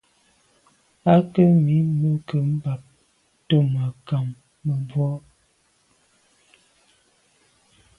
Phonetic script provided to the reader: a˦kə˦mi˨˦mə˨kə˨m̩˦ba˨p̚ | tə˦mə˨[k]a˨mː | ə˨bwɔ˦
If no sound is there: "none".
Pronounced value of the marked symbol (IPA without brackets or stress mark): k